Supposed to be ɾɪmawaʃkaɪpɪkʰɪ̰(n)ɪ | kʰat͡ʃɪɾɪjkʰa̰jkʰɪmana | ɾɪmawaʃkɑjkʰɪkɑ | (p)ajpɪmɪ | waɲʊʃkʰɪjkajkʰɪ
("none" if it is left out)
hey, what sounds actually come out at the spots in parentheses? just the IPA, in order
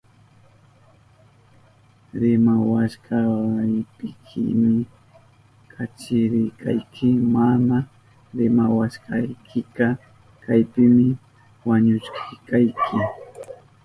m, k

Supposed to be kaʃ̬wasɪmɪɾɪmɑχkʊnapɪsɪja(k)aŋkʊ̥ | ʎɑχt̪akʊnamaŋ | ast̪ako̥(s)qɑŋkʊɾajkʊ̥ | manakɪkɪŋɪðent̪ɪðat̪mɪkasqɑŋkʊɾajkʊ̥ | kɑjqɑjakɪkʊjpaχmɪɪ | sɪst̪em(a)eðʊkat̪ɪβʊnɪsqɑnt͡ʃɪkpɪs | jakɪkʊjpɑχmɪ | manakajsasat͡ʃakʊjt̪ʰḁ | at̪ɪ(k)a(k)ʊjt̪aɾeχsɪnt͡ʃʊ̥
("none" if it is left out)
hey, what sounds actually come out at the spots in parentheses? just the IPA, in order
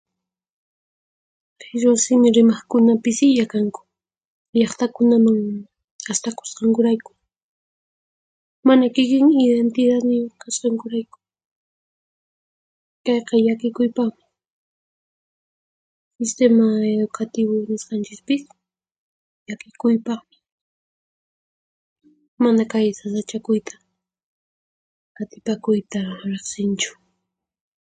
k, s, a, p, k

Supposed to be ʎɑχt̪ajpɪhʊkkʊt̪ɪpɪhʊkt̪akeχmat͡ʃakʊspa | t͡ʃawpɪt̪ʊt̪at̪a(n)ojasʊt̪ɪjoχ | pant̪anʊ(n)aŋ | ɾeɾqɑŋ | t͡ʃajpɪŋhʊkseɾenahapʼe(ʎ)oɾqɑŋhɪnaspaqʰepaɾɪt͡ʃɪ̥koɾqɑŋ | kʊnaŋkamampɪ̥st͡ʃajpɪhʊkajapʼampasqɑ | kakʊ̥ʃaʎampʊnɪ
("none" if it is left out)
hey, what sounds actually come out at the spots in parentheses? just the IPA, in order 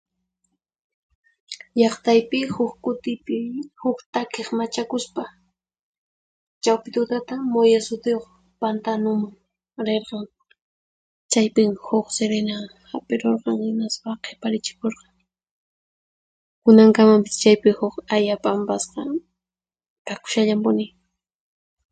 m, m, ɾ

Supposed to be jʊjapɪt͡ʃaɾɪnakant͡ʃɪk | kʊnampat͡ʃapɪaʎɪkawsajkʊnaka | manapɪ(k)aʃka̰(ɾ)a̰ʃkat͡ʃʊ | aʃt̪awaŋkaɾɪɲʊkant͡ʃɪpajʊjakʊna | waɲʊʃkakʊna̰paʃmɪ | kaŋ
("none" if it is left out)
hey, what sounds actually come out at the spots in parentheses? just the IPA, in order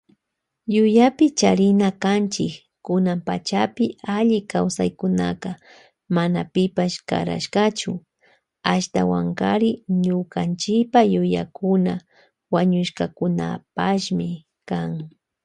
p, ɾ

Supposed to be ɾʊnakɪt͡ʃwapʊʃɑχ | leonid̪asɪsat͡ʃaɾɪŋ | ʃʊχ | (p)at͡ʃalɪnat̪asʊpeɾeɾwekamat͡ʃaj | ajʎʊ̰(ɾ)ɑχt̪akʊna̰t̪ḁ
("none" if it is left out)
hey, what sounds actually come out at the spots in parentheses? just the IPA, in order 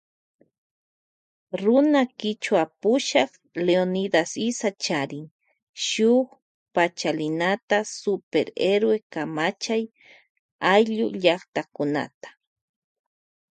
p, ʎ

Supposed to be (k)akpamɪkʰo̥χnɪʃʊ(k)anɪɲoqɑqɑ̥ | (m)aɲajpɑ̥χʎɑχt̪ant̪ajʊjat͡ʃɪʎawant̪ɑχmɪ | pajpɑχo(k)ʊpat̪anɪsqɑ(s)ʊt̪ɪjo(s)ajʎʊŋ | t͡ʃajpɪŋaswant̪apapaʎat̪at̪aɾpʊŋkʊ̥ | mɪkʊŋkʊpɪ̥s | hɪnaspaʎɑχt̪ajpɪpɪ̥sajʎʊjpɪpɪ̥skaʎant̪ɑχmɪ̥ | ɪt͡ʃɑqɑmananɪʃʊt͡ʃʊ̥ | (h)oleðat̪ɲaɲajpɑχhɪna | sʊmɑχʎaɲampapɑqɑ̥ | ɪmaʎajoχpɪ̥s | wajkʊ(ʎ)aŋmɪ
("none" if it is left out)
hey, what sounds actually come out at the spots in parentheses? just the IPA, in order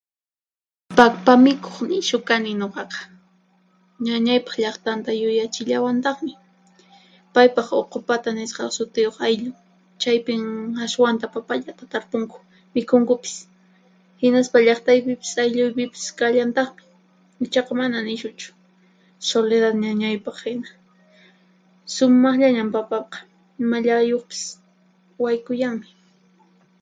p, k, ɲ, q, s, χ, s, j

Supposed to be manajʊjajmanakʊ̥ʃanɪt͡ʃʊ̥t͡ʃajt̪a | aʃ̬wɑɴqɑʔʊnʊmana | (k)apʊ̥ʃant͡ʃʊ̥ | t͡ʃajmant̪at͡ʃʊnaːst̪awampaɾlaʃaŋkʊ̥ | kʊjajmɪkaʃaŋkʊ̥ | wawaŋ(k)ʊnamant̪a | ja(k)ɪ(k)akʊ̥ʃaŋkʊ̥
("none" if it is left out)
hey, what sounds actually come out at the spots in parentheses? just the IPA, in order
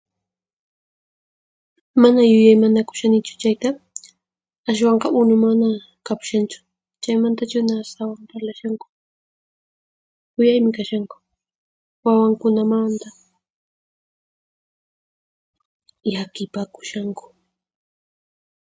k, k, k, p

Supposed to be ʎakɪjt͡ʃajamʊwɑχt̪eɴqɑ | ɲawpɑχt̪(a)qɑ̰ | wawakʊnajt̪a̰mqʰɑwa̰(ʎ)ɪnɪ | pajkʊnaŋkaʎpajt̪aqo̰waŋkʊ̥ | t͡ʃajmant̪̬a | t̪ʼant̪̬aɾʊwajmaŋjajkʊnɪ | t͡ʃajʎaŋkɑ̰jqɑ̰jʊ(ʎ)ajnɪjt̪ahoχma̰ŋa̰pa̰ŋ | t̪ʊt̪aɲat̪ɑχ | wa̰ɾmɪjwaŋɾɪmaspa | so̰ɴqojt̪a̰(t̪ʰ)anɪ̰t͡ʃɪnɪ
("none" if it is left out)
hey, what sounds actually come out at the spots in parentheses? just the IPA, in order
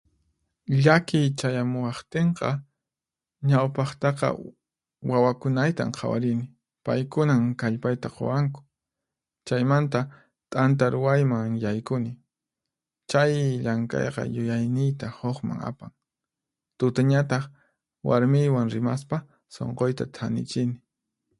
ɑ, ɾ, j, t̪ʰ

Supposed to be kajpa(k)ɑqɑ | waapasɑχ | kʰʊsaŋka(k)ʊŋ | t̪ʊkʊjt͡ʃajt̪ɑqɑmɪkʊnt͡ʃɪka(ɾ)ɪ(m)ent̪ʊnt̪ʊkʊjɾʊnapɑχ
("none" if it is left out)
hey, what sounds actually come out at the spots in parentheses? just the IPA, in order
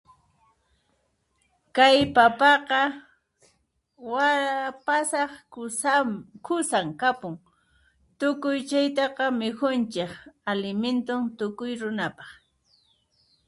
p, p, l, m

